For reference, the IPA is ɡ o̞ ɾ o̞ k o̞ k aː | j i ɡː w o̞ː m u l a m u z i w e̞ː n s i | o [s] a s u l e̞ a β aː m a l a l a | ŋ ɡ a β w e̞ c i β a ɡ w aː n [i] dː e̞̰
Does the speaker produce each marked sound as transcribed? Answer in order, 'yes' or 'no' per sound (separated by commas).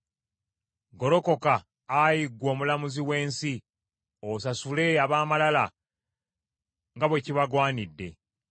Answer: yes, yes